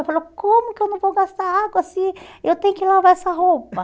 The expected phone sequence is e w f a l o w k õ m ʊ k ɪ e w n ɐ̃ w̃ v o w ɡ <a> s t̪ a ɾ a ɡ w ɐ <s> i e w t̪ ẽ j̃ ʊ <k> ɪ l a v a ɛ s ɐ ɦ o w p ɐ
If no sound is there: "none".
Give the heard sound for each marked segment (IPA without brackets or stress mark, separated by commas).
a, s, k